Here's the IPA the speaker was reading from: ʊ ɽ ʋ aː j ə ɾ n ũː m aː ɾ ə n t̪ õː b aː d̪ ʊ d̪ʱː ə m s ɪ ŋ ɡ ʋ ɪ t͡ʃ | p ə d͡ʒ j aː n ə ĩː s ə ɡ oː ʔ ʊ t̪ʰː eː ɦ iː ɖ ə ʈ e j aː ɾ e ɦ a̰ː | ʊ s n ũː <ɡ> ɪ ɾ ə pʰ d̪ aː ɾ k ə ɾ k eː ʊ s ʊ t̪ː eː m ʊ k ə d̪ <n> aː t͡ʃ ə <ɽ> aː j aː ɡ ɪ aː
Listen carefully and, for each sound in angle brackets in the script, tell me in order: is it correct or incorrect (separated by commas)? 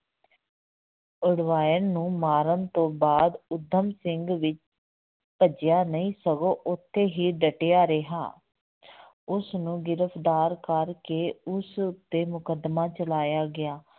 correct, incorrect, incorrect